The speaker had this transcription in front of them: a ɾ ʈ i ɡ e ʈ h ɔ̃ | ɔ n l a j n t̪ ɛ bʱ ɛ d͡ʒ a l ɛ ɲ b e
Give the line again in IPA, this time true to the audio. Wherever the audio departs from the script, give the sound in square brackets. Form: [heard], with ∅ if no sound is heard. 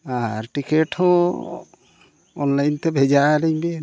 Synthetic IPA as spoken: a ɾ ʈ i [k] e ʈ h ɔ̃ | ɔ n l a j n t̪ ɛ bʱ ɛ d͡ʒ a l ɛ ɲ b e